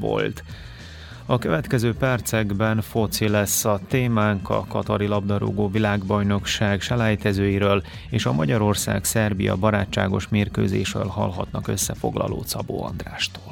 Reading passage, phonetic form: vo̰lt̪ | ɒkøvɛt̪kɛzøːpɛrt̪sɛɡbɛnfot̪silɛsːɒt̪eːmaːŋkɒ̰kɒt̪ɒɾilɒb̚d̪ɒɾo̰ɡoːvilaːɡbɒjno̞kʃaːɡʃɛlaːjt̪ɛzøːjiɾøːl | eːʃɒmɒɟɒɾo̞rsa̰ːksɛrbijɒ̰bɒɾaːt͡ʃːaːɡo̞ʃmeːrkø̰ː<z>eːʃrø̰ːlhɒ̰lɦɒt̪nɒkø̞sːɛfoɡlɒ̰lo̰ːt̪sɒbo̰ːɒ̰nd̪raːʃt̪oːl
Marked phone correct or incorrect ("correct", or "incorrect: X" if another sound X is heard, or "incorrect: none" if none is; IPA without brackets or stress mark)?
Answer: correct